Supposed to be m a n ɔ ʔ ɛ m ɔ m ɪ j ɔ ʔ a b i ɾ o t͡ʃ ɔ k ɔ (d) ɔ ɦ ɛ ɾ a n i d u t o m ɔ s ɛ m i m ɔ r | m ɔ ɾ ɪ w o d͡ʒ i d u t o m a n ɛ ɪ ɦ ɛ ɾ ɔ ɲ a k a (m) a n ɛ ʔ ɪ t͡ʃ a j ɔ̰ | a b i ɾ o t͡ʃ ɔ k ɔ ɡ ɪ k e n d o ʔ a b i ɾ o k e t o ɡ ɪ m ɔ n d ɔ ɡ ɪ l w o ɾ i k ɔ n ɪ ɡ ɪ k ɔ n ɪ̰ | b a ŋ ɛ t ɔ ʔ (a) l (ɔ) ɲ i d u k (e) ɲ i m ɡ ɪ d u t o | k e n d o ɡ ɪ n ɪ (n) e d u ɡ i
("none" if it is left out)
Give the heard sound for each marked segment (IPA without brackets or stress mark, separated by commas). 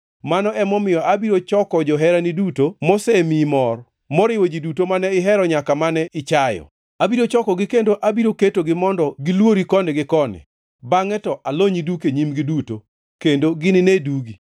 d͡ʒ, m, a, o, e, n